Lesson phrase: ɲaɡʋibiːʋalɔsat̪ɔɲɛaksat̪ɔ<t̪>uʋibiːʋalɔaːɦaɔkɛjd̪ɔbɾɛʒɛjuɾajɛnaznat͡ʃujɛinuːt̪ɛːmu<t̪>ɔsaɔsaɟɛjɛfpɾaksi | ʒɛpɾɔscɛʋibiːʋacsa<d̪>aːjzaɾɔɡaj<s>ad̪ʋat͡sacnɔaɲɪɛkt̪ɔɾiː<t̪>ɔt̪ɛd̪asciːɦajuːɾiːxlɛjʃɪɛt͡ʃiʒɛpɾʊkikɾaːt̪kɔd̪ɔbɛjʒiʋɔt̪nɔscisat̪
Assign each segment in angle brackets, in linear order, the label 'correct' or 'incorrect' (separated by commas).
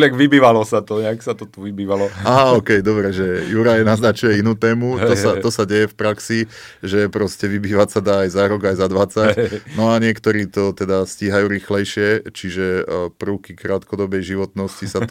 correct, correct, correct, incorrect, correct